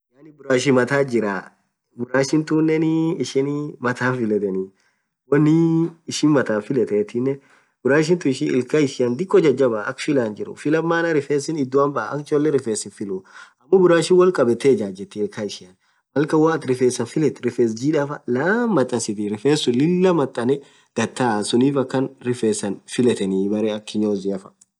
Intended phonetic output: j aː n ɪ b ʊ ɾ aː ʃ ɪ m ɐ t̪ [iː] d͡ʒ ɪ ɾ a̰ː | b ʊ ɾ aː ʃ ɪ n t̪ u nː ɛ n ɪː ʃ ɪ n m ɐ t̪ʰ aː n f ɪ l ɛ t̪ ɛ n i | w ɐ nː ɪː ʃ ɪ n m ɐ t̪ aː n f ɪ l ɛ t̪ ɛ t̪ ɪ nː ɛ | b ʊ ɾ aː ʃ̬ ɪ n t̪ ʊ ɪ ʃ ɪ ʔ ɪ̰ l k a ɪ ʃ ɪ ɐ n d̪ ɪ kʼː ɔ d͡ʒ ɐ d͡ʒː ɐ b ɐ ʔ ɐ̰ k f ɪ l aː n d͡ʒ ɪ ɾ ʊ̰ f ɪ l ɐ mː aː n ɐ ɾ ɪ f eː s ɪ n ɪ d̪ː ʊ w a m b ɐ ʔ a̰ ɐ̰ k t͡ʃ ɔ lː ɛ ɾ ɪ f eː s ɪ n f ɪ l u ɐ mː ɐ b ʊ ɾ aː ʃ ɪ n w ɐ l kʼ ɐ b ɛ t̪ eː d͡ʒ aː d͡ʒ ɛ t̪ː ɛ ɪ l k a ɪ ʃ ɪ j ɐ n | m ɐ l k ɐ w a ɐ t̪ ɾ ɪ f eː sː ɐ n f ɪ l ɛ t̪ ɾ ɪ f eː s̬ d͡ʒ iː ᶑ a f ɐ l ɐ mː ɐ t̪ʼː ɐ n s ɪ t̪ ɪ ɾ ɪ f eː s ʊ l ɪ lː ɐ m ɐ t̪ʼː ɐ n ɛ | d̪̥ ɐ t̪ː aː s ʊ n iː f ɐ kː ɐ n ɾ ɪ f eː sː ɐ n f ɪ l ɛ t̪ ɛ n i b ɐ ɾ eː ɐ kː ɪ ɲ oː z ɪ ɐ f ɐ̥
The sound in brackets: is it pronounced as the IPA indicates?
no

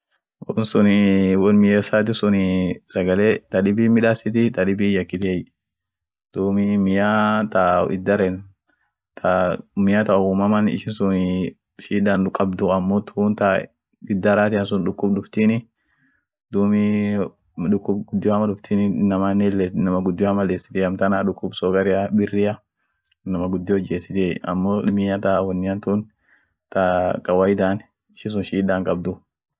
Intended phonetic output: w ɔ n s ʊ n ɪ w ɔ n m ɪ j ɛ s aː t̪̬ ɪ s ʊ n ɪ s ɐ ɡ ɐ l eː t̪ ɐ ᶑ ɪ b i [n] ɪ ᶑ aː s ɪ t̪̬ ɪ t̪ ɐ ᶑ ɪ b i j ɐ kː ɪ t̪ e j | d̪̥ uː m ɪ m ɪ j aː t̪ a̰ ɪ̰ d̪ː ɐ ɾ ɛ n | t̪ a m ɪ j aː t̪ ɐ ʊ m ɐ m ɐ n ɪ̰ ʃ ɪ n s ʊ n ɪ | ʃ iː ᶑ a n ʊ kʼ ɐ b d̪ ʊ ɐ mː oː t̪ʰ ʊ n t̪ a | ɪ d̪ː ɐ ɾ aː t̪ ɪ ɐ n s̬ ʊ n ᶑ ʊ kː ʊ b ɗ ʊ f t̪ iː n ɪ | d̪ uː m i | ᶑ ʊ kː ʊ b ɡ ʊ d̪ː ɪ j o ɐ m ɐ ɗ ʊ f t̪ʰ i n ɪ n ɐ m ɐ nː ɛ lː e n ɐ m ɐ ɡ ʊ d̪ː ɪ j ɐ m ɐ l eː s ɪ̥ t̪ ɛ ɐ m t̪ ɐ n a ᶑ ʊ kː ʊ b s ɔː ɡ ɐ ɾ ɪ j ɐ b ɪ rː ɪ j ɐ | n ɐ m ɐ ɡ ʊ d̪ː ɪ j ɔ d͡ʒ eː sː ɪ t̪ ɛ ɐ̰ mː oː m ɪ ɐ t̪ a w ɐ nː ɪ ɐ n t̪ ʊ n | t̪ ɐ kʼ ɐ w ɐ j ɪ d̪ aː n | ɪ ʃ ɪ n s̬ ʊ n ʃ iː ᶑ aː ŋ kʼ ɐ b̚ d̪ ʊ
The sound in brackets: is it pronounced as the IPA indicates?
no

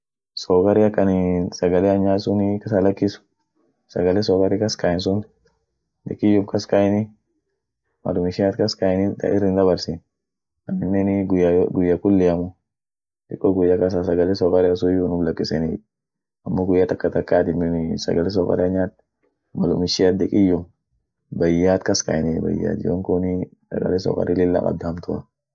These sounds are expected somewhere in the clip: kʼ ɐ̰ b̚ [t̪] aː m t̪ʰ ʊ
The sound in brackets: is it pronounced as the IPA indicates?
no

